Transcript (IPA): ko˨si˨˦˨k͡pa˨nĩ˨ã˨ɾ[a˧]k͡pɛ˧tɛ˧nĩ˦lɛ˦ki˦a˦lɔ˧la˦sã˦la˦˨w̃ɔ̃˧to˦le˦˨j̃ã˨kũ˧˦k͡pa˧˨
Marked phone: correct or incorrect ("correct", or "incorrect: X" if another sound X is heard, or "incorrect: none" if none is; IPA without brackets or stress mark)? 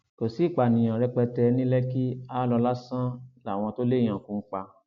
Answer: incorrect: ɛ˧